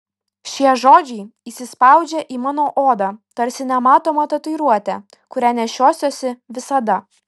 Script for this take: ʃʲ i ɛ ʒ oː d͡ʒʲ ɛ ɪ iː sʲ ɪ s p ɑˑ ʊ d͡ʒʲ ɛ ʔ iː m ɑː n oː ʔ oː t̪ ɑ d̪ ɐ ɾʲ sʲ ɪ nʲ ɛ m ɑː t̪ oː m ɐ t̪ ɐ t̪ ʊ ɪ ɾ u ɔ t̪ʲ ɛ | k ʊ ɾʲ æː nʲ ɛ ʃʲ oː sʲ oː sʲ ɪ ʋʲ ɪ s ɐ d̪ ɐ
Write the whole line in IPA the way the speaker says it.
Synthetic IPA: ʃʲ i ɛ ʒ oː d͡ʒʲ ɛ ɪ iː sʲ ɪ s p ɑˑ ʊ d͡ʒʲ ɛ ʔ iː m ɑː n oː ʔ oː d̪ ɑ t̪ ɐ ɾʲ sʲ ɪ nʲ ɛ m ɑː t̪ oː m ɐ t̪ ɐ t̪ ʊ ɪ ɾ u ɔ t̪ʲ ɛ | k ʊ ɾʲ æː nʲ ɛ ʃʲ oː sʲ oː sʲ ɪ ʋʲ ɪ s ɐ d̪ ɐ